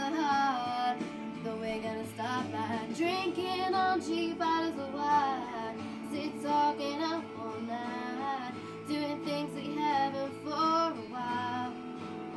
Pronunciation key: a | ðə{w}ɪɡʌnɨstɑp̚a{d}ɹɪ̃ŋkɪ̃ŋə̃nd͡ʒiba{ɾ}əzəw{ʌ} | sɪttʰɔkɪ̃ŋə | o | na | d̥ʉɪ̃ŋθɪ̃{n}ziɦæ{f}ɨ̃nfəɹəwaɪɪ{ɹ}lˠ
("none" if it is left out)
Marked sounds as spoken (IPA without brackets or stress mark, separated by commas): w, d, ɾ, a, ŋ, v, l